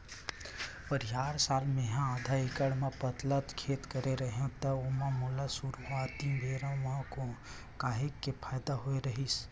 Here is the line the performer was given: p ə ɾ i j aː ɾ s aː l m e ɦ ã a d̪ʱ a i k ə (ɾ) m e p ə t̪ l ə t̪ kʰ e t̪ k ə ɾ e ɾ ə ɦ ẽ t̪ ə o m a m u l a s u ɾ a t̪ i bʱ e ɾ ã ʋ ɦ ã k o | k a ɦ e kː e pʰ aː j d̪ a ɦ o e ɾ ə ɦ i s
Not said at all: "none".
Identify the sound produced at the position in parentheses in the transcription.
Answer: ɽ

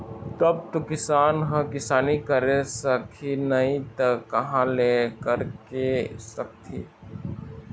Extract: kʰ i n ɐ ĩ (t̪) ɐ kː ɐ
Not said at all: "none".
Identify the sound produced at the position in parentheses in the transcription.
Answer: t̪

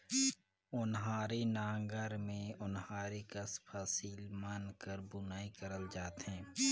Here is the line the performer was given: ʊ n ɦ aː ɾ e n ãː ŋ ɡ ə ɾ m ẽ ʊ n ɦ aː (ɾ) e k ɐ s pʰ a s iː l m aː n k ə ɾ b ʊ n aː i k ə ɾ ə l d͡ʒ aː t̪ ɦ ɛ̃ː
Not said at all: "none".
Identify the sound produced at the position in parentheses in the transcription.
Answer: ɾ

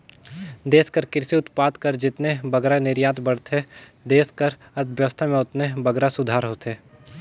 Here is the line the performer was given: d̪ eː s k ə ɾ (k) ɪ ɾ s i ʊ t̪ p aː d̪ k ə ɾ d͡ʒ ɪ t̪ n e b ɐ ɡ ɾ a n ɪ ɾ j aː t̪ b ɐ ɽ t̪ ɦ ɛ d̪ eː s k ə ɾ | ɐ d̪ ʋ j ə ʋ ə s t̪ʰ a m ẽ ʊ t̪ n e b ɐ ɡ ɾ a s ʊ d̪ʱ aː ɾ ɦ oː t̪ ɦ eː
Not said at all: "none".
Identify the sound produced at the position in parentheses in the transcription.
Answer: k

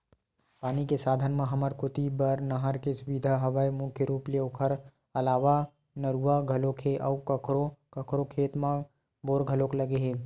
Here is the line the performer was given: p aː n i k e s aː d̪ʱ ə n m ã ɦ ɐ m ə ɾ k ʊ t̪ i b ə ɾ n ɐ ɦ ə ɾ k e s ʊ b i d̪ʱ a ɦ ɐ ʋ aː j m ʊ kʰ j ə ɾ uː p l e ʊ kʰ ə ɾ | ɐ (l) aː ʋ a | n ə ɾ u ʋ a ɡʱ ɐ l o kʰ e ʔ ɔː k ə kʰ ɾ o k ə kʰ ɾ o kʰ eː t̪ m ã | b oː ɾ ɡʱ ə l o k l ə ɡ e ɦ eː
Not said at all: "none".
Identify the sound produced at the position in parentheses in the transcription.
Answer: l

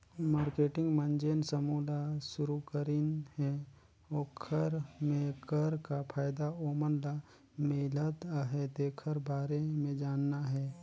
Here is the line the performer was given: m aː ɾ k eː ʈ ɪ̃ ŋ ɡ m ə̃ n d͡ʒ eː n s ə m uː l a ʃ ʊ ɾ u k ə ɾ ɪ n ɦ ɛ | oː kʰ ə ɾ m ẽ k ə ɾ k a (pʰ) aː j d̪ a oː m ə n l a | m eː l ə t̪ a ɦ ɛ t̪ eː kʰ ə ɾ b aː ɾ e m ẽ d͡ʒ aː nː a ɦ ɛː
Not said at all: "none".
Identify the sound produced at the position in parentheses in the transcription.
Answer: pʰ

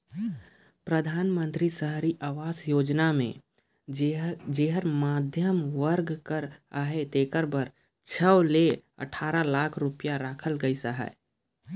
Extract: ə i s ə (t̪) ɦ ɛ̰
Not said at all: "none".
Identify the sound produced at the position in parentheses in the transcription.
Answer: none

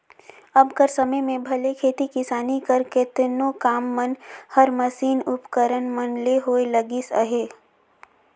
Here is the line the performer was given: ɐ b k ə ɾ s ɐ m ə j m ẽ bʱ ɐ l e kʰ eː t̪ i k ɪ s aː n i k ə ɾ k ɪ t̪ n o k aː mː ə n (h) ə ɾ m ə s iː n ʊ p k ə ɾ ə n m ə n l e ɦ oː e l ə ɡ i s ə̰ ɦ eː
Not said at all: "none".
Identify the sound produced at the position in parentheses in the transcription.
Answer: h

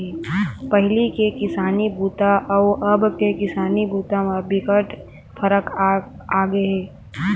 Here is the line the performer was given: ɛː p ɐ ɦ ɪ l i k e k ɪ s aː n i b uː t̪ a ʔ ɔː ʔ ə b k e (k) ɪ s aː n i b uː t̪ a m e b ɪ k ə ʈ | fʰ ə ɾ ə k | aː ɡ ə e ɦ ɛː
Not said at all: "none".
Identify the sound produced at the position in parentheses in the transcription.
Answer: k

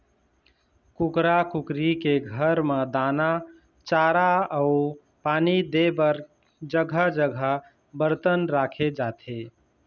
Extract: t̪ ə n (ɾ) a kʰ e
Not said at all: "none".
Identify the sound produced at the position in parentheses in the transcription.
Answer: ɾ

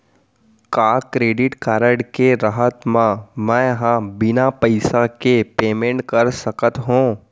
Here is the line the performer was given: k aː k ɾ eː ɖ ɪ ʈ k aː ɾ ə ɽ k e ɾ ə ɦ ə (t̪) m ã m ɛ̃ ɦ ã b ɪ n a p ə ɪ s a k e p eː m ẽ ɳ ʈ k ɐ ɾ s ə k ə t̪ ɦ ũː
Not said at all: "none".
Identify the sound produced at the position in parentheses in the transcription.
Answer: t̪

